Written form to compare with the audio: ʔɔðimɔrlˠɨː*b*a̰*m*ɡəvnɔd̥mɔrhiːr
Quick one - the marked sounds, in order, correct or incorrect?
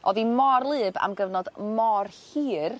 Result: correct, correct

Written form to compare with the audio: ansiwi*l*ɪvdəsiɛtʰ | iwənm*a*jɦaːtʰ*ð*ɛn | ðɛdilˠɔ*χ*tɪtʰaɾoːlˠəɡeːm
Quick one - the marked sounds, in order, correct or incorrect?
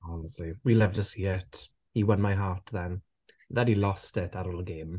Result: correct, correct, correct, incorrect

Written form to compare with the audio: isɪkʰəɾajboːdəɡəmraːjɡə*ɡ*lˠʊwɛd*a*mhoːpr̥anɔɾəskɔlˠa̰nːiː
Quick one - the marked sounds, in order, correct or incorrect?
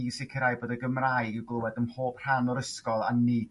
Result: correct, incorrect

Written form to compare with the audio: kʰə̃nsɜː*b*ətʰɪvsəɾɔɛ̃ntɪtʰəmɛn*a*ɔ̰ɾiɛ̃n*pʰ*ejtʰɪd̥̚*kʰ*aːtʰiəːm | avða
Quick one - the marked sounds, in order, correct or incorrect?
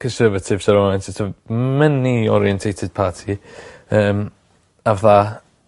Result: incorrect, incorrect, incorrect, incorrect

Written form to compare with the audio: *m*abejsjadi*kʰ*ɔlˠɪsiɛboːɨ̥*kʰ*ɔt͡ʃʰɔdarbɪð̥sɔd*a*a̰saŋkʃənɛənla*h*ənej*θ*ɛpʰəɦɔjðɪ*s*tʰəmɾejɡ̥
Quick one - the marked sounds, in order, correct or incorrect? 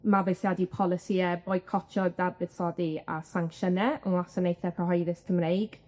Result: correct, incorrect, correct, incorrect, incorrect, correct, correct

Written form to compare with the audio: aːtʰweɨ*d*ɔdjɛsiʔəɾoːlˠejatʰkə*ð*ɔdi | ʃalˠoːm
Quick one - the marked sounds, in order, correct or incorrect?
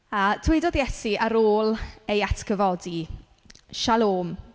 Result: correct, incorrect

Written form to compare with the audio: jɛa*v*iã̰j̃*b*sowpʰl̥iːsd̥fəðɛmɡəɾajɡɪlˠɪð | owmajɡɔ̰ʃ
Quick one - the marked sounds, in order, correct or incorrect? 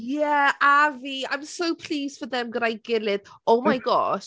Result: correct, incorrect

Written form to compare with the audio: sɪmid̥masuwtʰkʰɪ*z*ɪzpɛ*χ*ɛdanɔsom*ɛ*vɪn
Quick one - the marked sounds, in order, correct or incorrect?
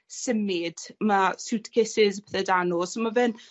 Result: incorrect, incorrect, incorrect

